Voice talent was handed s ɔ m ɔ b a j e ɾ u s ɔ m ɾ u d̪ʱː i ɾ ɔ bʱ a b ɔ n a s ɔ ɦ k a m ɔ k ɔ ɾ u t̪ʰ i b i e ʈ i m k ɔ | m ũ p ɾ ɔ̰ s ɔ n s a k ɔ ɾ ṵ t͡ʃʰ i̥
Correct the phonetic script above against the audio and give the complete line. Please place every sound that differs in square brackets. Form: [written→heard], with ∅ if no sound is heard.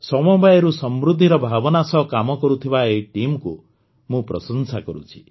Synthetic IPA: s ɔ m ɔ b a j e ɾ u s ɔ m ɾ u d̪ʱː i ɾ ɔ bʱ a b ɔ n a s ɔ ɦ k a m ɔ k ɔ ɾ u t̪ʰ i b [i→a] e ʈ i m k [ɔ→u] | m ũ p ɾ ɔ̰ s ɔ n s a k ɔ ɾ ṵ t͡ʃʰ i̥